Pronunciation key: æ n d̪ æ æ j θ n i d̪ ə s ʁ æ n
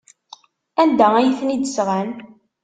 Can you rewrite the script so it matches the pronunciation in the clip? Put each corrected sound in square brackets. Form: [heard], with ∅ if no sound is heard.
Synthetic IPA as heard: æ n d̪ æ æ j θ n i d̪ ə s ʁ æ n